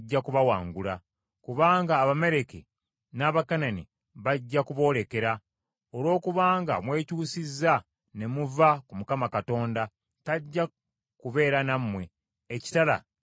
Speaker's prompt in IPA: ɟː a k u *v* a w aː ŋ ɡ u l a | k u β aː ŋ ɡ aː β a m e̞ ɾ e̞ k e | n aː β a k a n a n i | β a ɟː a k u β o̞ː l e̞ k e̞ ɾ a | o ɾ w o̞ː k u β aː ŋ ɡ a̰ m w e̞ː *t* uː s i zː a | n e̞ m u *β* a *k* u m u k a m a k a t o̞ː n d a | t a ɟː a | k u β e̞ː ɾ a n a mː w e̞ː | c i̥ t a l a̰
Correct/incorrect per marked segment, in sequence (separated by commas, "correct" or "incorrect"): incorrect, incorrect, incorrect, correct